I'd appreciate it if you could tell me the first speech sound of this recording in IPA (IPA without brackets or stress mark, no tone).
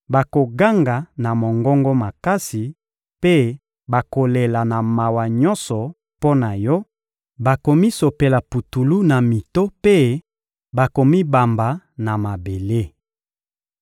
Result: b